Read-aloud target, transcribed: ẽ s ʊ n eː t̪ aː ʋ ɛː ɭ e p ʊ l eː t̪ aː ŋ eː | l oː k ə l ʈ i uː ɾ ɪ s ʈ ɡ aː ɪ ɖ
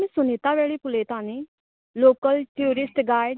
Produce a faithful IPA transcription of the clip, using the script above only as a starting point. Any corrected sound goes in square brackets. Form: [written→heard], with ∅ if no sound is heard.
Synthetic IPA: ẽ s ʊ n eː t̪ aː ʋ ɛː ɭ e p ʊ l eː t̪ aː [ŋ→n] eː | l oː k ə l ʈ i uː ɾ ɪ s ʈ ɡ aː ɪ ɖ

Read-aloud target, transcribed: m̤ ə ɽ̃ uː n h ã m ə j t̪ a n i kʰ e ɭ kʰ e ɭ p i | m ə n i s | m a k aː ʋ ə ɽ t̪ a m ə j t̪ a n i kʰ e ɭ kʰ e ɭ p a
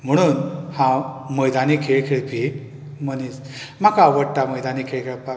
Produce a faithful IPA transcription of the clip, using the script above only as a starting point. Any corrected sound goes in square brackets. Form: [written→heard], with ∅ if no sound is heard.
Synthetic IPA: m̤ ə ɽ̃ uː n h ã m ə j [t̪→d̪] a n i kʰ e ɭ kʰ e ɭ p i | m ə n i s | m a k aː ʋ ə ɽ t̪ a m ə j [t̪→d̪] a n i kʰ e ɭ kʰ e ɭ p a

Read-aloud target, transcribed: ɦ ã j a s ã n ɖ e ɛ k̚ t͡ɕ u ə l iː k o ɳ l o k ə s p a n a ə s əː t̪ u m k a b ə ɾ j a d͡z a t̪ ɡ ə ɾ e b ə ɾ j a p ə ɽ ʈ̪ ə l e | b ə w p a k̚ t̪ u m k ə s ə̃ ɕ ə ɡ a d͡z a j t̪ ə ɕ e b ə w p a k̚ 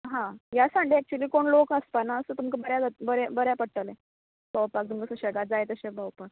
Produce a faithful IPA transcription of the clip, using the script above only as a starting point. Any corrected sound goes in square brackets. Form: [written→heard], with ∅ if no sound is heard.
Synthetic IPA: ɦ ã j a s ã [n→ɳ] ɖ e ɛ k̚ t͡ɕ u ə l iː k o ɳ l o k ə s p a n a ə s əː t̪ u m k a b ə ɾ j a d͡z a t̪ [ɡ→b] ə ɾ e b ə ɾ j a p ə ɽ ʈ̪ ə l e | b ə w p a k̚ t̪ u m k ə s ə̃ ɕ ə ɡ a d͡z a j t̪ ə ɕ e b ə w p a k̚

